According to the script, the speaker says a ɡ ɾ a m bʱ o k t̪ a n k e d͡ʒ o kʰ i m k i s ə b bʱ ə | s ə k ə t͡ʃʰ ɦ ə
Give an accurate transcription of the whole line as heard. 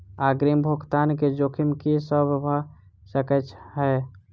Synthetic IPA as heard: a ɡ ɾ i m bʱ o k t̪ a n k e d͡ʒ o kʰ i m k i s ə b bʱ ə | s ə k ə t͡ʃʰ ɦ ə